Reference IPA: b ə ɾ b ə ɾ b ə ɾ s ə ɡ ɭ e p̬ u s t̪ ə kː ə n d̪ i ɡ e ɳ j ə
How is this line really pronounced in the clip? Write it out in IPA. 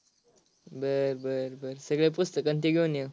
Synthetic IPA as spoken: b ə ɾ b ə ɾ b ə ɾ s ə ɡ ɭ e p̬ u s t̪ ə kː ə n t̪ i ɡ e n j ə